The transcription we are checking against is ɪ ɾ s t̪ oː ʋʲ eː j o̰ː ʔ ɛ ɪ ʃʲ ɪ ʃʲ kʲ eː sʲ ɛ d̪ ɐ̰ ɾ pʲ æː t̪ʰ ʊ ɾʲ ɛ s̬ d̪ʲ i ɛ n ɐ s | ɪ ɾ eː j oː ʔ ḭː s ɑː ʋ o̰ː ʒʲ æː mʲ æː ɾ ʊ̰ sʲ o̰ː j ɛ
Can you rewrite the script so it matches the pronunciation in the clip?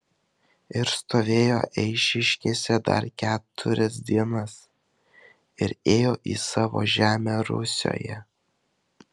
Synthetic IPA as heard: ɪ ɾ s t̪ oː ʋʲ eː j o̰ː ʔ ɛ ɪ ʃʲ ɪ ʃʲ kʲ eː sʲ ɛ d̪ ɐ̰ ɾ kʲ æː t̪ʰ ʊ ɾʲ ɛ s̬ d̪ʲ i ɛ n ɐ s | ɪ ɾ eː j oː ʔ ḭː s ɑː ʋ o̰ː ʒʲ æː mʲ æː ɾ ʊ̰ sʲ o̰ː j ɛ